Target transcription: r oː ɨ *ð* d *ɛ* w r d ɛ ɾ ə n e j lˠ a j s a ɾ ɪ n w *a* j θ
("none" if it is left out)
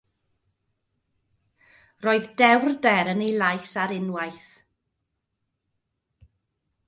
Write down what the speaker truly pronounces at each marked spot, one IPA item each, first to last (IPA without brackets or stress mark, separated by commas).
ð, ɛ, a